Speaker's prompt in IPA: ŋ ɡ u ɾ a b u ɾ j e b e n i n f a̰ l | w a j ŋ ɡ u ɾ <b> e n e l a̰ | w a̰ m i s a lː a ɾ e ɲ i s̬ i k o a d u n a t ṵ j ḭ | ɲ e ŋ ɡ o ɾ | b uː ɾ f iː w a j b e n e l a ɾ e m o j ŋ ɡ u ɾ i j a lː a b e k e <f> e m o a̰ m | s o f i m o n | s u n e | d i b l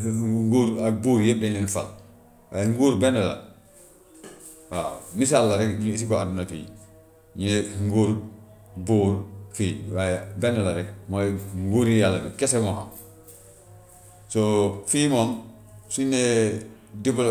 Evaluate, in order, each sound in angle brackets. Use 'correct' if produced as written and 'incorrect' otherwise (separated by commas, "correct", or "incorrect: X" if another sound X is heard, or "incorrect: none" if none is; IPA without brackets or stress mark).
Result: correct, incorrect: s